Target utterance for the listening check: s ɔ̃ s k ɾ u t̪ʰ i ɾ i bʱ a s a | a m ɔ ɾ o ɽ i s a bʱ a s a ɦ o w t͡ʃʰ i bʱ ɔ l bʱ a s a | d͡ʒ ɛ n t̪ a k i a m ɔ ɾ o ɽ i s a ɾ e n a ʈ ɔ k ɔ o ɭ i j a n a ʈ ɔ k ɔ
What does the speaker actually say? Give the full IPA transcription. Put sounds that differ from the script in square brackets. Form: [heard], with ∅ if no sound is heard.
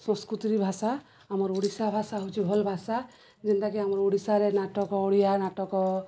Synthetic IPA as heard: s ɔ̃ s k ɾ u [t̪] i ɾ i bʱ a s a | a m ɔ ɾ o ɽ i s a bʱ a s a ɦ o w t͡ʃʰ i bʱ ɔ l bʱ a s a | d͡ʒ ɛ n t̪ a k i a m ɔ ɾ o ɽ i s a ɾ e n a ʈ ɔ k ɔ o [ɽ] i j a n a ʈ ɔ k ɔ